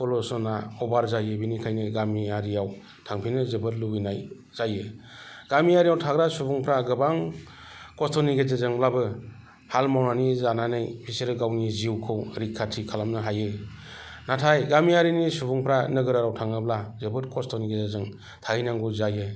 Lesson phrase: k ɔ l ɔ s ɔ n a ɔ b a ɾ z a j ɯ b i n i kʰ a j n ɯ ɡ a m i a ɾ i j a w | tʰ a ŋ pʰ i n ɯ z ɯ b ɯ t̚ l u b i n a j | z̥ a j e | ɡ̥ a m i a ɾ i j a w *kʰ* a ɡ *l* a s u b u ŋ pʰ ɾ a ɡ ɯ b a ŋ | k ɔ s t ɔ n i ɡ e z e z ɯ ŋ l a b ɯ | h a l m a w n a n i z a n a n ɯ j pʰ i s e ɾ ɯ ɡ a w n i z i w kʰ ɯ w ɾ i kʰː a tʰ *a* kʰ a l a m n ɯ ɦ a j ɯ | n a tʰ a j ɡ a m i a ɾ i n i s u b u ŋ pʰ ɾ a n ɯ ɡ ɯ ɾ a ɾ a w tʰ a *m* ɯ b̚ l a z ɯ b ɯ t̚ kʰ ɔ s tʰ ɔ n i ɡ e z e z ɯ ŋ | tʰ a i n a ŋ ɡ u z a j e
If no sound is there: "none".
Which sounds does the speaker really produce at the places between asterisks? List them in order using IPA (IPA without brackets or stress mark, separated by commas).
tʰ, ɾ, i, ŋ